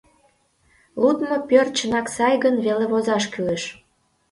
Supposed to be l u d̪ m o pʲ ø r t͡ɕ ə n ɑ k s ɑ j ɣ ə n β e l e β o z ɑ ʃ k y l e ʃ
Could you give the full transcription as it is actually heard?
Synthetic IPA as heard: l u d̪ m o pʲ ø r t͡ɕ ə n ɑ k s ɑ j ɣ ə n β e l e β o z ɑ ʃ k y l e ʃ